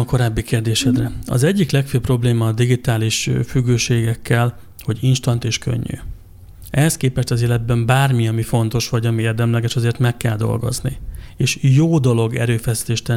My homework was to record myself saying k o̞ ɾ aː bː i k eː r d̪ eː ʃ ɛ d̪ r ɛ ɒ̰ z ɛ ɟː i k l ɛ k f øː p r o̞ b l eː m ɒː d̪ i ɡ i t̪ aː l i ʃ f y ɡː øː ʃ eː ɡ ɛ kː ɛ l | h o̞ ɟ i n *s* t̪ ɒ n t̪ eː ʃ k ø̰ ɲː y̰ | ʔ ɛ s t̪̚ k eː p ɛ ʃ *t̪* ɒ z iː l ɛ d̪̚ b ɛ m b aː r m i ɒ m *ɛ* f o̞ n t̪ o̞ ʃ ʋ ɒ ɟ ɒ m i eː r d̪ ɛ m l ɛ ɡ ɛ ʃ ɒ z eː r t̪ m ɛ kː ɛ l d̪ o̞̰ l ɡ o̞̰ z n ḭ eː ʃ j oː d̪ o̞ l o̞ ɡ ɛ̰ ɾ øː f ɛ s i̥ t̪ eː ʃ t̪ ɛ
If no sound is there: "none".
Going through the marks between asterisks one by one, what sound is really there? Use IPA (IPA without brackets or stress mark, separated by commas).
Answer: ʃ, t̪, i